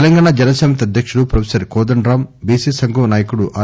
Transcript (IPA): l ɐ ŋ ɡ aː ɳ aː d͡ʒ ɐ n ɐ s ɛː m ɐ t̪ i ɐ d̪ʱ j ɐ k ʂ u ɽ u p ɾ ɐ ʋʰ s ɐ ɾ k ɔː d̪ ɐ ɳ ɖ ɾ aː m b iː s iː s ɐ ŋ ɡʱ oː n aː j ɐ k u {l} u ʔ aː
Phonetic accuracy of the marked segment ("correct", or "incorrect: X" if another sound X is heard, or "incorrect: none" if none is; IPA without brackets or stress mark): incorrect: ɽ